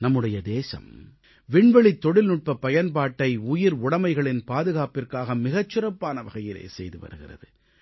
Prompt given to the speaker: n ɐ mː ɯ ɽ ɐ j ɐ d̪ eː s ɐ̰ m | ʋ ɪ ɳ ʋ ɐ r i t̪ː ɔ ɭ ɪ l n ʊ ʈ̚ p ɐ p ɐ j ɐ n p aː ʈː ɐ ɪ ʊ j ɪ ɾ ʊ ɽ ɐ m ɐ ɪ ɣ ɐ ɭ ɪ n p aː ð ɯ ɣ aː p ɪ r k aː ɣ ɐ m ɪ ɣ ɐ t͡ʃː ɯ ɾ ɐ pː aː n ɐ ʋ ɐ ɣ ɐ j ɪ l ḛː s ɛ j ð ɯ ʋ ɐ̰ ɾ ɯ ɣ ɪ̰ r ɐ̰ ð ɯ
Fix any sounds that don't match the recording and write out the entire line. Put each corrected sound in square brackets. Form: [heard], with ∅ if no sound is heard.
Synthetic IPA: n ɐ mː ɯ ɽ ɐ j ɐ d̪ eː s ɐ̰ m | ʋ ɪ ɳ ʋ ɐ [ɭ] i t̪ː ɔ [ɽ] ɪ l n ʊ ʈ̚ p ɐ p ɐ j ɐ n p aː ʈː ɐ ɪ ʊ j ɪ ɾ ʊ ɽ ɐ m ɐ ɪ ɣ ɐ ɭ ɪ n p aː ð ɯ ɣ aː p ɪ r k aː ɣ ɐ m ɪ ɣ ɐ t͡ʃː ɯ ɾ ɐ pː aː n ɐ ʋ ɐ ɣ ɐ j ɪ l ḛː s ɛ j ð ɯ ʋ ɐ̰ ɾ ɯ ɣ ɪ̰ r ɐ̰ ð ɯ